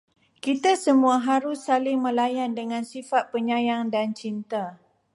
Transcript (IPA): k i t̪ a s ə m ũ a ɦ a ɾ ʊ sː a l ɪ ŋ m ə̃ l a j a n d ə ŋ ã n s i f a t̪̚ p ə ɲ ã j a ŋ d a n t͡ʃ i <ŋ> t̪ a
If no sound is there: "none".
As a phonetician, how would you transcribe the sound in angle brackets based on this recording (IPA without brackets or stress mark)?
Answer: n